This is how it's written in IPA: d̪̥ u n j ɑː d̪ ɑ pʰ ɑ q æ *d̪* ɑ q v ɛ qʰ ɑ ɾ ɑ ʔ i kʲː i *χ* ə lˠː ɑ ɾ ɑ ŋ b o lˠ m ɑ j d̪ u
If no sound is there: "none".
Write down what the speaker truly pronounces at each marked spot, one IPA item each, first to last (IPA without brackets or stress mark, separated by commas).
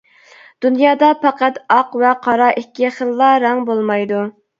t̪, χ